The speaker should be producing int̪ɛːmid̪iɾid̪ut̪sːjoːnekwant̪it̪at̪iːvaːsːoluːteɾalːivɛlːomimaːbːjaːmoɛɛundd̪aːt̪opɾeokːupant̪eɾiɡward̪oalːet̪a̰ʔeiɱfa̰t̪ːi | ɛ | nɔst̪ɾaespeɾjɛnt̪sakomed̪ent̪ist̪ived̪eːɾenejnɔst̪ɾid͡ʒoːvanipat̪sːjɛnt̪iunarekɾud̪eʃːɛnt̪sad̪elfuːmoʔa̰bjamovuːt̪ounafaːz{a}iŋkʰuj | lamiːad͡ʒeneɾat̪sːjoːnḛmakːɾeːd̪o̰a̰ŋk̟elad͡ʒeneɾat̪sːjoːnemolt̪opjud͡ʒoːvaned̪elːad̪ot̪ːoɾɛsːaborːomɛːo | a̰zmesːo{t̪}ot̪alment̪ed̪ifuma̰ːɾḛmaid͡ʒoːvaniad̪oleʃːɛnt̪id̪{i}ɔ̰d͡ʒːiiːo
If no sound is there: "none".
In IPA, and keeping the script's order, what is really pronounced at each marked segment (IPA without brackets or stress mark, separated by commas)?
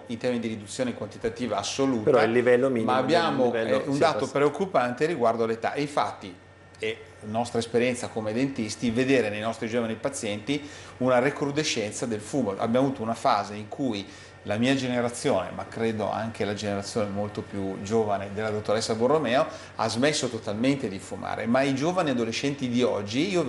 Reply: e, t̪, i